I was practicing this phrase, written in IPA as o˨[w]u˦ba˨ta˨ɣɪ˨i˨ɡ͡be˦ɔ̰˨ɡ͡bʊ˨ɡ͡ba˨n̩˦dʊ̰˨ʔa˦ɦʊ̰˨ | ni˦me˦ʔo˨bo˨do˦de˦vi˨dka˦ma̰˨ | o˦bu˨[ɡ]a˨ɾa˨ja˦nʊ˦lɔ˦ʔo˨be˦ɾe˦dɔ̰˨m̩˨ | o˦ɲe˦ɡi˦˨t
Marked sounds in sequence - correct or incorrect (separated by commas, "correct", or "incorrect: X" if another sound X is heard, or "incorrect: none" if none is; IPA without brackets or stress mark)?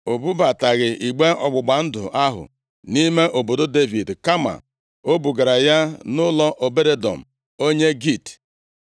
incorrect: b, correct